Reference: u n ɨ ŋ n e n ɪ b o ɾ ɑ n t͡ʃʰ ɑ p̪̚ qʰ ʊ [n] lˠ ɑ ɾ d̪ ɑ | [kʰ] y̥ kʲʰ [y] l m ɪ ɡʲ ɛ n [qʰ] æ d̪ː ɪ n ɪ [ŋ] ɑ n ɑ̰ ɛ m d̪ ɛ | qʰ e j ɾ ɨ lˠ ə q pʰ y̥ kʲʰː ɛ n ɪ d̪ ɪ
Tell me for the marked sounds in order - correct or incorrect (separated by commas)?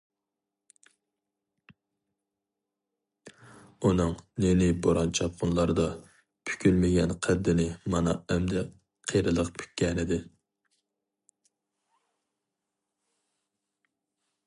correct, incorrect, correct, correct, incorrect